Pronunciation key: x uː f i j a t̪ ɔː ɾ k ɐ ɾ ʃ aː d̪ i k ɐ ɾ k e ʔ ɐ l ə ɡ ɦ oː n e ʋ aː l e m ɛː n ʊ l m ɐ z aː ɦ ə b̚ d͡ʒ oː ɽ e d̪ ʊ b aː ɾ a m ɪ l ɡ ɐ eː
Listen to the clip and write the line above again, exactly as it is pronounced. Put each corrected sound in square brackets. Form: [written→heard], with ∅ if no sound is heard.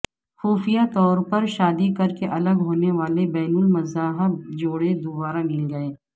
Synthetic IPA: x uː f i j a t̪ ɔː ɾ [k→p] ɐ ɾ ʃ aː d̪ i k ɐ ɾ k e ʔ ɐ l ə ɡ ɦ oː n e ʋ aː l e [m→b] ɛː n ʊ l m ɐ z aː ɦ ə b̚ d͡ʒ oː ɽ e d̪ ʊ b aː ɾ a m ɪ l ɡ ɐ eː